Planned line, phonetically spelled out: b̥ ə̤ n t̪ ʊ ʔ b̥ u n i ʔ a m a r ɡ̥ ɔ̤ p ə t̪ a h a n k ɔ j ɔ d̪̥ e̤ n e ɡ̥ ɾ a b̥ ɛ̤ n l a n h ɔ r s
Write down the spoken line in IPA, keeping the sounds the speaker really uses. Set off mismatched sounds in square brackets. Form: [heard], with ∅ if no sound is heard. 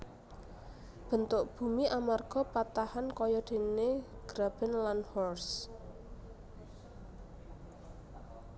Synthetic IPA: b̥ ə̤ n t̪ ʊ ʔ b̥ u [m] i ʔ a m a r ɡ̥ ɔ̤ p [a] t̪ a h a n k ɔ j ɔ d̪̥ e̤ n e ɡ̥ ɾ a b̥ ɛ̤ n l a n h ɔ r s